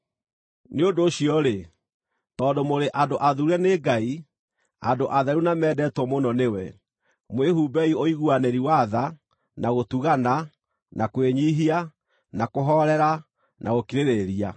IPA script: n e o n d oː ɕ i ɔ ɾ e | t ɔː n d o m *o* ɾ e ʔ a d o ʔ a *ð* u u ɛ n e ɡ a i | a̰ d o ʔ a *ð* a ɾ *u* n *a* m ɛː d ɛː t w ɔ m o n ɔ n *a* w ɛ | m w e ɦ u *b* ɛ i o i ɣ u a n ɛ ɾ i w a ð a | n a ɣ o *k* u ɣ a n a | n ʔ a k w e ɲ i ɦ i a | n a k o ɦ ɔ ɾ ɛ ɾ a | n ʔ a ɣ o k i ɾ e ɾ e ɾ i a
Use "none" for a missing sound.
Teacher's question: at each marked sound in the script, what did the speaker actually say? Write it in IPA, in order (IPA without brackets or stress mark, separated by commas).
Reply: o, ð, ð, u, a, e, b, t